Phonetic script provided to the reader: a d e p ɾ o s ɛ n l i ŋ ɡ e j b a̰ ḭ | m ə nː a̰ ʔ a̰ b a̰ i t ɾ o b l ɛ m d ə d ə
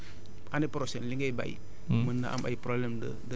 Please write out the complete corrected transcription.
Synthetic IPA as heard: a n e p ɾ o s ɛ n l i ŋ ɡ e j b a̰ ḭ | m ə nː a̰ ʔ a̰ m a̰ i p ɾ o b l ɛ m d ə d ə